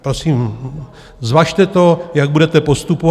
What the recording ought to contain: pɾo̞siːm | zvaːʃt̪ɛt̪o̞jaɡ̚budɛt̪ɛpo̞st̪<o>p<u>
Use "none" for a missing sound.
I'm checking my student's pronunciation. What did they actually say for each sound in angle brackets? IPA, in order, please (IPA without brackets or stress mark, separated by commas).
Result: u, o